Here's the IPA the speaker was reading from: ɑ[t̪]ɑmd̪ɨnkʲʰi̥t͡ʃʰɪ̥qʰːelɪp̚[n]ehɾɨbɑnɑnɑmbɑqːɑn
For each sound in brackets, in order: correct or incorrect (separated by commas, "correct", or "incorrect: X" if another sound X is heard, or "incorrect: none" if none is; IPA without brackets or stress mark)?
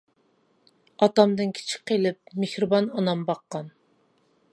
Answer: correct, incorrect: m